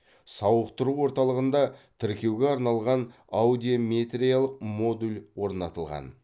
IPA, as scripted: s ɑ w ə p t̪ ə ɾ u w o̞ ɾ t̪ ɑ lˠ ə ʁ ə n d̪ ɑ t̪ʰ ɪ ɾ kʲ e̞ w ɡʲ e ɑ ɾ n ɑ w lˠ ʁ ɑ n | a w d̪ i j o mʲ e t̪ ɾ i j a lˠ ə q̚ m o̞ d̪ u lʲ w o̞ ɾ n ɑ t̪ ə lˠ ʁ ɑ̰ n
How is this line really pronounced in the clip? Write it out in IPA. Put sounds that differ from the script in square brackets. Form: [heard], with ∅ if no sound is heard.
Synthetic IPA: s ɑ w ə [q] t̪ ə ɾ u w o̞ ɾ t̪ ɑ lˠ ə ʁ ə n d̪ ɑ t̪ʰ ɪ ɾ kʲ e̞ w ɡʲ e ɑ ɾ n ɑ [∅] lˠ ʁ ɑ n | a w d̪ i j o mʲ e t̪ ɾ i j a lˠ ə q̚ m o̞ d̪ u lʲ w o̞ ɾ n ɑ t̪ ə lˠ ʁ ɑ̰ n